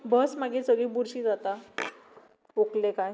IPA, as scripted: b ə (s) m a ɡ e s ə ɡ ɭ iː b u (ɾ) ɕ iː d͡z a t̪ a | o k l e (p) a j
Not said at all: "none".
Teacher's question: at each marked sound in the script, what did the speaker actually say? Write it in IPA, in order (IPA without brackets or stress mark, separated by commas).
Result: s, ɾ, k